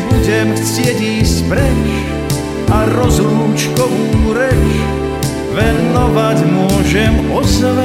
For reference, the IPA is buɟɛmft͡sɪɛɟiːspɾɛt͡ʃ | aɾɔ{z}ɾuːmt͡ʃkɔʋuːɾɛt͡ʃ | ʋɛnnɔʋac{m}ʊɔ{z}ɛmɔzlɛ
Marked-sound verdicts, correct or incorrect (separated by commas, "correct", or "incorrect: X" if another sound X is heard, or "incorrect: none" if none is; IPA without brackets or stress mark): correct, correct, incorrect: ʒ